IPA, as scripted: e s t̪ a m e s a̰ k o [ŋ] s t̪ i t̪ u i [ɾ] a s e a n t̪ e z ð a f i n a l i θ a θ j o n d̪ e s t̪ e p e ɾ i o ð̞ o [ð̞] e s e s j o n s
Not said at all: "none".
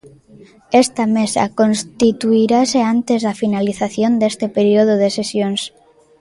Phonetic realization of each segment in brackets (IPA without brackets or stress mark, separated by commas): n, ɾ, ð̞